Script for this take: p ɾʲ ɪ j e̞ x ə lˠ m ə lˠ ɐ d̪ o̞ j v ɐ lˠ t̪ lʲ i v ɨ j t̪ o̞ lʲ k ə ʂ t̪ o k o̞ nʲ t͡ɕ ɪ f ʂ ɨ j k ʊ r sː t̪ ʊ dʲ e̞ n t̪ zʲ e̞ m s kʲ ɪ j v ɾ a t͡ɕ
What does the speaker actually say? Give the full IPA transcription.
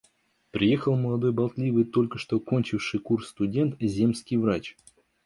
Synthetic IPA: p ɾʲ ɪ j e̞ x ə lˠ m ə lˠ ɐ d̪ o̞ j b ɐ lˠ t̪ lʲ i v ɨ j t̪ o̞ lʲ k ə ʂ t̪ o k o̞ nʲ t͡ɕ ɪ f ʂ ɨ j k u r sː t̪ ʊ dʲ e̞ n t̪ zʲ e̞ m s kʲ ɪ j v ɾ a t͡ɕ